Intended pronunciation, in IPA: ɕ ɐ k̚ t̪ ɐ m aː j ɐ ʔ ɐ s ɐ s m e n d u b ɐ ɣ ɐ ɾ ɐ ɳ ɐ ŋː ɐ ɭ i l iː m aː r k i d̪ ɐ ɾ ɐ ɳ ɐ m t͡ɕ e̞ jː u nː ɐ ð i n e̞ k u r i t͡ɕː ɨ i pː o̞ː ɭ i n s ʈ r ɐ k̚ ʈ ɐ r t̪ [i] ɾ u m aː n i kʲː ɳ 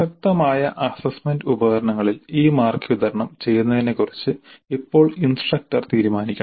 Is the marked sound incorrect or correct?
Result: incorrect